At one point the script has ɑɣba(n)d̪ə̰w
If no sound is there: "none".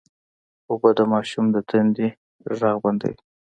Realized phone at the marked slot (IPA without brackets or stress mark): n